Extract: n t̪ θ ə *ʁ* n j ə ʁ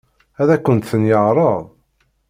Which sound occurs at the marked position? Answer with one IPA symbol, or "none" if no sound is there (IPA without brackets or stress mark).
none